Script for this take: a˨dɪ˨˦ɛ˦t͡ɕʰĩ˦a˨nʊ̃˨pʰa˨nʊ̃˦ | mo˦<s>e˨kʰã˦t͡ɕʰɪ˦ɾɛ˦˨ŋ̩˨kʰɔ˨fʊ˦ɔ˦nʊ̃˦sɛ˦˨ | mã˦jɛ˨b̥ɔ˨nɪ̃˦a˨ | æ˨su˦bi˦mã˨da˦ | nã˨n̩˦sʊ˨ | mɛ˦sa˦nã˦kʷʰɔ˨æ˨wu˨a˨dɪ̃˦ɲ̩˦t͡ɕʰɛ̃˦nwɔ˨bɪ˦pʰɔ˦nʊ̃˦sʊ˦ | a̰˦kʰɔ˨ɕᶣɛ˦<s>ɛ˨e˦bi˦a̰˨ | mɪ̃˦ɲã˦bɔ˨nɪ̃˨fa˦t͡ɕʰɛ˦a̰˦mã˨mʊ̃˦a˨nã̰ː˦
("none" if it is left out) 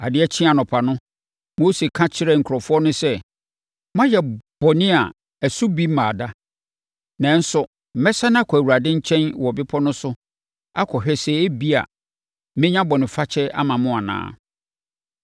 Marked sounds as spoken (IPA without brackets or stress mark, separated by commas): s, s